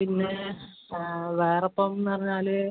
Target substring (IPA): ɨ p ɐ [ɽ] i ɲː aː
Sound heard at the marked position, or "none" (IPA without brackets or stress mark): r